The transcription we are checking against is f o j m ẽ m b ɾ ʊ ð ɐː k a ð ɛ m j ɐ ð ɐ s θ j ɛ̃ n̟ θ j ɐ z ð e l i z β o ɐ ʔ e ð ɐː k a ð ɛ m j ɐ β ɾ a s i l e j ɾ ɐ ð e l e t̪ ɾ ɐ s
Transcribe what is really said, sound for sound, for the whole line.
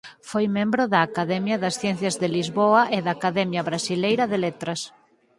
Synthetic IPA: f o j m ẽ m b ɾ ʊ ð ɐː k a ð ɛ m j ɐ ð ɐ s θ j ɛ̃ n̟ θ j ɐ z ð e l i z β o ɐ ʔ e ð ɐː k a ð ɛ m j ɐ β ɾ a s i l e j ɾ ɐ ð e l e t̪ ɾ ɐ s